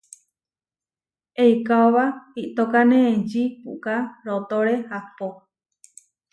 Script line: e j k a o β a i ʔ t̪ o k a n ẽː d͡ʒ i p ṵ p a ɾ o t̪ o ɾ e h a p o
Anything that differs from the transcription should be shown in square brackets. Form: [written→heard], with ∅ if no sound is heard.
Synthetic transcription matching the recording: e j k a o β a i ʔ t̪ o k a n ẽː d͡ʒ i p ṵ [p→k] a ɾ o t̪ o ɾ e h a p o